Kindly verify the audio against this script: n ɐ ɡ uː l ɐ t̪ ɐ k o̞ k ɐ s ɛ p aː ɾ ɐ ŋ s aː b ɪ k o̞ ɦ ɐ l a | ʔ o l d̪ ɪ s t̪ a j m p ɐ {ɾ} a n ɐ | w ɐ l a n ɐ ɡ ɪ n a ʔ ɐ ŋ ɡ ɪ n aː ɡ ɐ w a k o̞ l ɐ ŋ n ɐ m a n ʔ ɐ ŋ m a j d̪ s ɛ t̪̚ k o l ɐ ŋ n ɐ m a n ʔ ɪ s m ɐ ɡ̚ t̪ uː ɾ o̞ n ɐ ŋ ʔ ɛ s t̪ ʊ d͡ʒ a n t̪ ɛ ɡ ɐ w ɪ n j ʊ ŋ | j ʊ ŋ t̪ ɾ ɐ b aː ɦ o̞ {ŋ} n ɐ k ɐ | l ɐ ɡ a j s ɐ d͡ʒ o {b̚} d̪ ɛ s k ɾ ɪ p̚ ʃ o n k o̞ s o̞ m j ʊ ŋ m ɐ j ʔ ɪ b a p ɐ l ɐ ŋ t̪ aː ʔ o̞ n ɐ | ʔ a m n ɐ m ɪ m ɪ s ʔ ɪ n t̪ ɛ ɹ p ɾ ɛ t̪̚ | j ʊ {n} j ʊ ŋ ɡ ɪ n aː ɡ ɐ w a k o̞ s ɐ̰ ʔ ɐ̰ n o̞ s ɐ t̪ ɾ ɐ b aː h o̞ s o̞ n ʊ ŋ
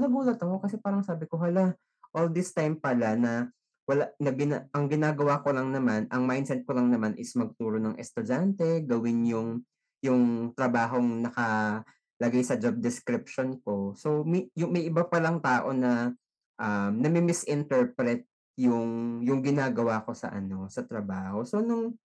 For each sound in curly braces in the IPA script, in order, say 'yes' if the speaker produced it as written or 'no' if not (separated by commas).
no, yes, yes, no